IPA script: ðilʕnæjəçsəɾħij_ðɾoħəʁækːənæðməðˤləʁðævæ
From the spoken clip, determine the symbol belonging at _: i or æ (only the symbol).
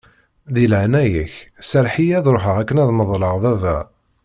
æ